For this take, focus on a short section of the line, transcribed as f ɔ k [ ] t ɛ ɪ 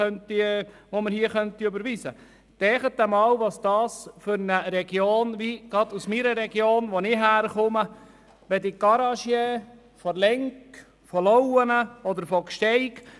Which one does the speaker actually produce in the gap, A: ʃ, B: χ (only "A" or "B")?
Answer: A